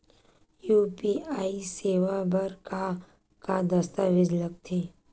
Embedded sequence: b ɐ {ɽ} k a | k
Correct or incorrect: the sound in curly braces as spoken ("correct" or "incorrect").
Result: incorrect